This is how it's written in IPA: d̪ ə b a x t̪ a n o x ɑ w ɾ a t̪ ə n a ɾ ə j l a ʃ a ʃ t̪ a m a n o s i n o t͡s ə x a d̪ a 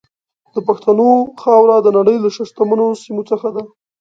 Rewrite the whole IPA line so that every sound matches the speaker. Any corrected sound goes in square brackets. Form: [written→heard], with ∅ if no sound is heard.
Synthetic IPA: d̪ ə [b→p] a x t̪ a n o x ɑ w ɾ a [t̪→d̪] ə n a [ɾ→ɽ] ə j l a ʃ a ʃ t̪ a m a n o s i [n→m] o t͡s ə x a d̪ a